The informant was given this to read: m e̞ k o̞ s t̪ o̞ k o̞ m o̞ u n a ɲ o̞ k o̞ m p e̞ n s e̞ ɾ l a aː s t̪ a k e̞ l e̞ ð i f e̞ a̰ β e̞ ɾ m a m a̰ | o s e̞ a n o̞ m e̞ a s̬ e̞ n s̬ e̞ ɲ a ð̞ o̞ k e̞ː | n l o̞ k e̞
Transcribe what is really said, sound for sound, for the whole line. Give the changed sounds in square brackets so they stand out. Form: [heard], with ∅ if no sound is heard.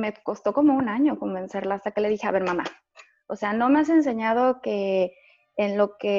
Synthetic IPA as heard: m e̞ k o̞ s t̪ o̞ k o̞ m o̞ u n a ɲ o̞ k o̞ m [b] e̞ n s e̞ ɾ l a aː s t̪ a k e̞ l e̞ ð i [x] e̞ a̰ β e̞ ɾ m a m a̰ | o s e̞ a n o̞ m e̞ a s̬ e̞ n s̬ e̞ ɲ a ð̞ o̞ k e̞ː | n l o̞ k e̞